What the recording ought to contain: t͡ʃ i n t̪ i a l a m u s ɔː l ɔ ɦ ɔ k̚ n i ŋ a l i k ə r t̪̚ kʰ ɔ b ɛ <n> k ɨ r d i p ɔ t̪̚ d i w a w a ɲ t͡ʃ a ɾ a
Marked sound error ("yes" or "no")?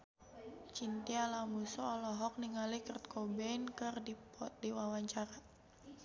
no